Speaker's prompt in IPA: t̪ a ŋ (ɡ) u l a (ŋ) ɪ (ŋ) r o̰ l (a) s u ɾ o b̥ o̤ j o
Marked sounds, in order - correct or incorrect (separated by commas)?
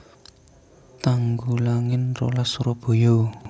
correct, correct, incorrect, correct